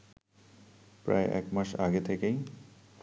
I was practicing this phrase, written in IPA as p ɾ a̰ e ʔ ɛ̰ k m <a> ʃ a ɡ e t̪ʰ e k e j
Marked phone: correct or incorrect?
correct